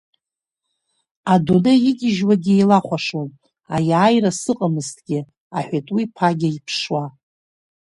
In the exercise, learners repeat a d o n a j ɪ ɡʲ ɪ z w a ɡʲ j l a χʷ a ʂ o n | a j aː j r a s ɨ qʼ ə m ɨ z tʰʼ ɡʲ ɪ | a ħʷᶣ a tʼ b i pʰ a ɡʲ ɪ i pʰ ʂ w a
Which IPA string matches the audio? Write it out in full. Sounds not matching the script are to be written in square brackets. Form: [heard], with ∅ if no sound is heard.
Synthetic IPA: a d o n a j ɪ ɡʲ ɪ [ʒ] w a ɡʲ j l a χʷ a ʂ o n | a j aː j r a s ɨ qʼ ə m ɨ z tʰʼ ɡʲ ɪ | a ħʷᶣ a tʼ [w] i pʰ a ɡʲ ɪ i pʰ ʂ w a